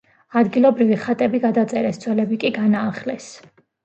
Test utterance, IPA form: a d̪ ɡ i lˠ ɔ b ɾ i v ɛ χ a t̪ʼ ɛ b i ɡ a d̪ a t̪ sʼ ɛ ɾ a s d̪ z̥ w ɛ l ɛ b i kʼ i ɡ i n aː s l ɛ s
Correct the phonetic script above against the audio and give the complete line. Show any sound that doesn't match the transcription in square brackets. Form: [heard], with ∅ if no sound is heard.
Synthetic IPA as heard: a d̪ ɡ i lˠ ɔ b ɾ i v [i] χ a t̪ʼ ɛ b i ɡ a d̪ a t̪ sʼ ɛ ɾ [ɛ] s d̪ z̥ w ɛ l ɛ b i kʼ i ɡ [a] n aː [χ] l ɛ s